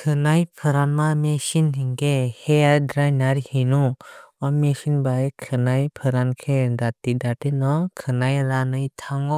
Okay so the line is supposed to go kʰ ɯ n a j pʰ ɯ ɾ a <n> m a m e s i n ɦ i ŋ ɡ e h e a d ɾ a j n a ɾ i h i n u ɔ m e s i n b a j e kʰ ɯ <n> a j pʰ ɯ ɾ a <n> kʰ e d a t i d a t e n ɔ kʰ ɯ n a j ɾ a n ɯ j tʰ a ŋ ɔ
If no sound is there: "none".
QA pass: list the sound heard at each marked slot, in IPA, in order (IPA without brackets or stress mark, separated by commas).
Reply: n, n, n